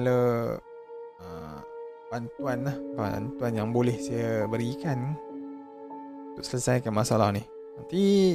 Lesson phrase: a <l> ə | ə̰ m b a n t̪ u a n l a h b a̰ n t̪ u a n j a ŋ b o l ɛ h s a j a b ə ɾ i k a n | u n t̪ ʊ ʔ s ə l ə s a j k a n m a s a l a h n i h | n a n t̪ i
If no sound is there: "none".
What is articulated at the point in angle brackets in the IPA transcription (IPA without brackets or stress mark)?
l